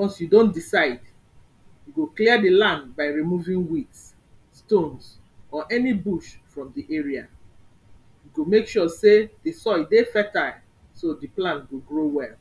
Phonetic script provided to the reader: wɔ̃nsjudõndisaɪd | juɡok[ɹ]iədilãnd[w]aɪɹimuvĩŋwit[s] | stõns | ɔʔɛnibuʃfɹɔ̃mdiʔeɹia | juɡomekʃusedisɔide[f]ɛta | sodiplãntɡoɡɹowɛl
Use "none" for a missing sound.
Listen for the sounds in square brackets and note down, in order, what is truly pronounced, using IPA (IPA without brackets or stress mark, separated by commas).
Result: l, b, s, f